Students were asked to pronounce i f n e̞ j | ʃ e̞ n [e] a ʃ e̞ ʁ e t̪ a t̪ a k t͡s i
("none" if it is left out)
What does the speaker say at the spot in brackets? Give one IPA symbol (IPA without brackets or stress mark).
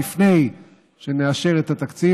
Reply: e